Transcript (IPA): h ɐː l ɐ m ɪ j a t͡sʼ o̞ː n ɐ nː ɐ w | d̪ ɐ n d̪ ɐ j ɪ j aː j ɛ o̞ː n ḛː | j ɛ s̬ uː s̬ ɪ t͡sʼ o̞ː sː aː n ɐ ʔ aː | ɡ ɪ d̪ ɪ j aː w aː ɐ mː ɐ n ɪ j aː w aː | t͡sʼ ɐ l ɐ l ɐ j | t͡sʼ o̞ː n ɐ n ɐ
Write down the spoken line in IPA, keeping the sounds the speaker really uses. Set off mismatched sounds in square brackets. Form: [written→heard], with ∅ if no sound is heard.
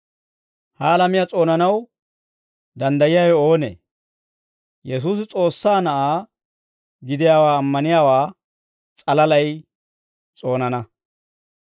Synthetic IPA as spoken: h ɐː l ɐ m ɪ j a t͡sʼ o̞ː n ɐ [nː→n] ɐ w | d̪ ɐ n d̪ ɐ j ɪ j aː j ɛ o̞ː n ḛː | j ɛ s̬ uː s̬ ɪ t͡sʼ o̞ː sː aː n ɐ ʔ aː | ɡ ɪ d̪ ɪ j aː w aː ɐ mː ɐ n ɪ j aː w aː | t͡sʼ ɐ l ɐ l ɐ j | t͡sʼ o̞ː n ɐ n ɐ